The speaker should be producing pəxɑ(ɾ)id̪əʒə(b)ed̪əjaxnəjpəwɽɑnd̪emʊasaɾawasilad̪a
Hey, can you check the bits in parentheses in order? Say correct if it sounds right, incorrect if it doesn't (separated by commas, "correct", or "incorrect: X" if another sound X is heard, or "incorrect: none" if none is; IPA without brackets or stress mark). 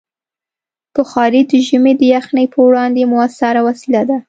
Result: correct, incorrect: m